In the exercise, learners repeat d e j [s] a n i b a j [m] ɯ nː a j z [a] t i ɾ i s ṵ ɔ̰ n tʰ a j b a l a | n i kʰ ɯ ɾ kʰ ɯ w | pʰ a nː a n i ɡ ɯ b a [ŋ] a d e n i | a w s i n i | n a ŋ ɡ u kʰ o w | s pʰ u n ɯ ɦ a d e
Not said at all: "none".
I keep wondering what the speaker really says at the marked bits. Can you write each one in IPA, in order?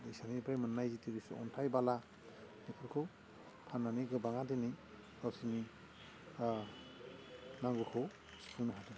s, m, i, ŋ

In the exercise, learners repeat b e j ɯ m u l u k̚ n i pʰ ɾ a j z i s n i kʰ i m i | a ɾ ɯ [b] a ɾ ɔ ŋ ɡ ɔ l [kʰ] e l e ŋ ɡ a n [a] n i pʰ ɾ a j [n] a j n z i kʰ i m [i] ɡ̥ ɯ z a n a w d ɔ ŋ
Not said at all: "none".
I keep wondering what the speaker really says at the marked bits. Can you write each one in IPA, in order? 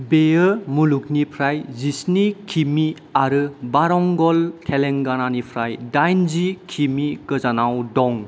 b, kʰ, a, d, i

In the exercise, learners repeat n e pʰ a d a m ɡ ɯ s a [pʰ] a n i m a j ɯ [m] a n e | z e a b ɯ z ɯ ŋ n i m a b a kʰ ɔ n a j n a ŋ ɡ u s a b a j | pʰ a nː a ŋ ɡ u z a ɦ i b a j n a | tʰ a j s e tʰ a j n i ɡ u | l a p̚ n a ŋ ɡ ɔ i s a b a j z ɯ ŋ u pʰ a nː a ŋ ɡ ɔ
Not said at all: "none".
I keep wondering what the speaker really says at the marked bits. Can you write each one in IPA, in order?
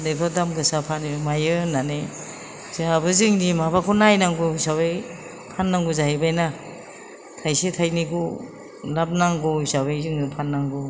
pʰ, n

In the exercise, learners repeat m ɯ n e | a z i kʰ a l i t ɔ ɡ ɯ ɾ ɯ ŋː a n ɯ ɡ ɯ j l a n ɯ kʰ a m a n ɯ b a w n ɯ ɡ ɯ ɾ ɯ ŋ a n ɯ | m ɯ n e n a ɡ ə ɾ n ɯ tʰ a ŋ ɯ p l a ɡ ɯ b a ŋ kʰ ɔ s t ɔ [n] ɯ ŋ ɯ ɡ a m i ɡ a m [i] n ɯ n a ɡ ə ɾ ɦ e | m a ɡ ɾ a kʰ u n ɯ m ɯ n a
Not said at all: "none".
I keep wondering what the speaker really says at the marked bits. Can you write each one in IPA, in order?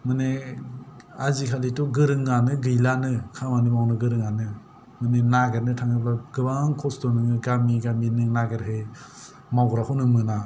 n, i

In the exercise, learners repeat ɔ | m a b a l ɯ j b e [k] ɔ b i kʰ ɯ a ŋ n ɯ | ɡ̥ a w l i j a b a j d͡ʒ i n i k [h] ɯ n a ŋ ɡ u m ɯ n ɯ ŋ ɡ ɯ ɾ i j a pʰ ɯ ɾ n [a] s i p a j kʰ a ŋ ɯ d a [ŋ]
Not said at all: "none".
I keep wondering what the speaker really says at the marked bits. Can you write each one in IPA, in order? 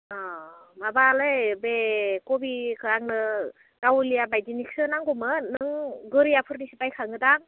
k, s, i, ŋ

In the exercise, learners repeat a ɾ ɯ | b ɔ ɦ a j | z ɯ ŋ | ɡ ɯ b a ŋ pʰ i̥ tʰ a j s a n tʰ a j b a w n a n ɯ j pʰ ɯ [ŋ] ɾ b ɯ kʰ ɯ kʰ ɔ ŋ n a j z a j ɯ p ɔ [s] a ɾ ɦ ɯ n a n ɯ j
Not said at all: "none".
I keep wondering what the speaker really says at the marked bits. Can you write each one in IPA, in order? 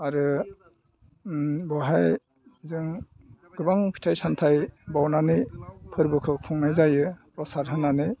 none, s

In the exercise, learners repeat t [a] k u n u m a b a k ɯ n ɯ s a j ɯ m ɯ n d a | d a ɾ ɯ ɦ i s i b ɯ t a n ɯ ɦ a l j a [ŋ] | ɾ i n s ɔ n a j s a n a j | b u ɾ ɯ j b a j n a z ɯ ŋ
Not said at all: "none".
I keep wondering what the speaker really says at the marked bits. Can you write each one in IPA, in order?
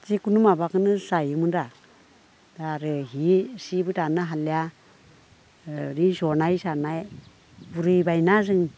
i, none

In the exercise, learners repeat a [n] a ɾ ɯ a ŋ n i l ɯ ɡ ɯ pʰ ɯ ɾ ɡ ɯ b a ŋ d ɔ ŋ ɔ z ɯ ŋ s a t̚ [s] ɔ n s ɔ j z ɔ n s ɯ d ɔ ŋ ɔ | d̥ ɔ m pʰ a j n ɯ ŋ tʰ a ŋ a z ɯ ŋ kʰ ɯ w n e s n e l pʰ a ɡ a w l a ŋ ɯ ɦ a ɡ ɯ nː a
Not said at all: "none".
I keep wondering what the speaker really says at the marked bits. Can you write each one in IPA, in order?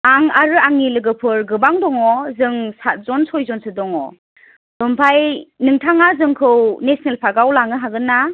ŋ, z

